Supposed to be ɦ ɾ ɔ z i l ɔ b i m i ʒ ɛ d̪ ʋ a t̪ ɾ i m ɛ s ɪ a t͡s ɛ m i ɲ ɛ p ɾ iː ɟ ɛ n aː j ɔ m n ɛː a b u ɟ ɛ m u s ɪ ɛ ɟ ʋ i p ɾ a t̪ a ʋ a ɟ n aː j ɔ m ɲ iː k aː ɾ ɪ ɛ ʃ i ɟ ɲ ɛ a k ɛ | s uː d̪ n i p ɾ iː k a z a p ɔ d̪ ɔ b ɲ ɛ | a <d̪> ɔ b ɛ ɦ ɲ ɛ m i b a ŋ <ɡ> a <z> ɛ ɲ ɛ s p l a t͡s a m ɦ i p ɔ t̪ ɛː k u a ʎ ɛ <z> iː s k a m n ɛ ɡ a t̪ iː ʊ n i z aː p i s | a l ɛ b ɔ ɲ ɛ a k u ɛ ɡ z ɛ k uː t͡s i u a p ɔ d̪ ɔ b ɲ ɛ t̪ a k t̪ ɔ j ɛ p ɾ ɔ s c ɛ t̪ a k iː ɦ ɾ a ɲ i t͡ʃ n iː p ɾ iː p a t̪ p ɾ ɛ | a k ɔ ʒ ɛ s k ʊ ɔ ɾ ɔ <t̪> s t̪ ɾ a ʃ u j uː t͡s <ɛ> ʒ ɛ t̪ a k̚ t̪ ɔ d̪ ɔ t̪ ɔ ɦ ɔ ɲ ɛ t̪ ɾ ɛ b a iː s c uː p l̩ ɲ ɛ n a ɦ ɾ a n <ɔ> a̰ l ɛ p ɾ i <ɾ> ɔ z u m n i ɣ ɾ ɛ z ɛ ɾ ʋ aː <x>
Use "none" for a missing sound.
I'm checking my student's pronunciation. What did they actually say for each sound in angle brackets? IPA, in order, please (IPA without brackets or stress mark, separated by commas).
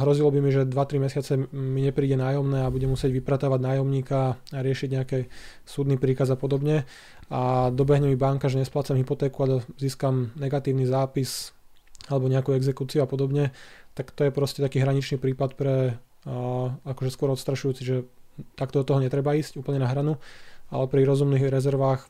d̪, k, ʒ, z, t̪, i, u, ɾ, x